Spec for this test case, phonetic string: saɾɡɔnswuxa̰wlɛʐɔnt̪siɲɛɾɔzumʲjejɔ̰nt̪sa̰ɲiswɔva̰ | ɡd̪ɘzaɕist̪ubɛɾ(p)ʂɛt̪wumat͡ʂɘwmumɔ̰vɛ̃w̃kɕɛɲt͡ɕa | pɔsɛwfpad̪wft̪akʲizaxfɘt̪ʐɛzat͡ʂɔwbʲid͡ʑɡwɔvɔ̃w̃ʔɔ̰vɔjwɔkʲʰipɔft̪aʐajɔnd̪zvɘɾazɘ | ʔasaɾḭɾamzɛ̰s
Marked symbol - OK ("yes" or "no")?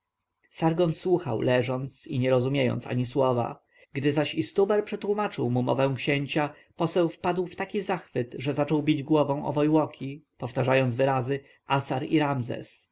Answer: yes